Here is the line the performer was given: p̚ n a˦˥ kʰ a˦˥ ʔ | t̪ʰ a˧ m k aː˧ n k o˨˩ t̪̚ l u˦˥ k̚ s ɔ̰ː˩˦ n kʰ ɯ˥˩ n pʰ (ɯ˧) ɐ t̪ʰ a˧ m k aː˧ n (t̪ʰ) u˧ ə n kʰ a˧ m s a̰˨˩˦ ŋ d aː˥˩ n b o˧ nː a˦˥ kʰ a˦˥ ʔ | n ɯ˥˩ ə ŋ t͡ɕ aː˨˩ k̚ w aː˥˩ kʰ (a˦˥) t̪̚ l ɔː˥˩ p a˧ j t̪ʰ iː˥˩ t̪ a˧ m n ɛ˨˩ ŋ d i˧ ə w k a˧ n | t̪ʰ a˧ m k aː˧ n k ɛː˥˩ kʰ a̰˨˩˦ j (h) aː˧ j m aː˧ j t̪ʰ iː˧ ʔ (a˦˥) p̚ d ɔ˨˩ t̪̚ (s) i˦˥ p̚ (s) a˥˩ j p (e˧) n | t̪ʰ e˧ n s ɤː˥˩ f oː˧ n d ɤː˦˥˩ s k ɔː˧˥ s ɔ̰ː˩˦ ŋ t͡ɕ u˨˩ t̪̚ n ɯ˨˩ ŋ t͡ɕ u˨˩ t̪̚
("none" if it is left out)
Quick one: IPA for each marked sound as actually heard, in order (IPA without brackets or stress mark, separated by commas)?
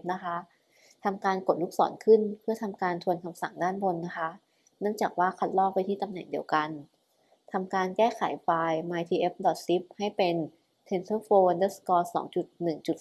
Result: ɯ˥˩, t̪ʰ, a˦˥, f, e˦˥, s, h, e˧